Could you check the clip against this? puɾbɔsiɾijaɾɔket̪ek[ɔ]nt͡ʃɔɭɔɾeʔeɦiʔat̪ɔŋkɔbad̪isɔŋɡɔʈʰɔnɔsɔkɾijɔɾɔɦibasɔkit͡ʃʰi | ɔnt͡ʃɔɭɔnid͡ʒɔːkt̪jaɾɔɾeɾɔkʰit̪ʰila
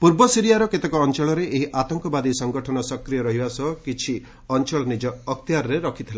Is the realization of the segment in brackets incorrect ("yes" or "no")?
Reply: yes